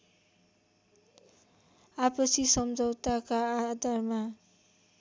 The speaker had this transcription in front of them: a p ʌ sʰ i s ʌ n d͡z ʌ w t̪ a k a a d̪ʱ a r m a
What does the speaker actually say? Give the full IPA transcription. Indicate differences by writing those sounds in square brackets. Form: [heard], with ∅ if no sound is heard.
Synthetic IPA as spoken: a p ʌ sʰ i s ʌ [m] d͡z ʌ w t̪ a k a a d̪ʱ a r m a